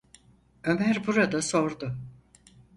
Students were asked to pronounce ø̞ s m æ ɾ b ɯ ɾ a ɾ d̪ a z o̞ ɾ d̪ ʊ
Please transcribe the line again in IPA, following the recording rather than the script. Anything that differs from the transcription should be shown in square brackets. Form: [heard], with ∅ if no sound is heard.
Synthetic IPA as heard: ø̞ [∅] m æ ɾ b [u] ɾ a [∅] d̪ a [s] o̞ ɾ d̪ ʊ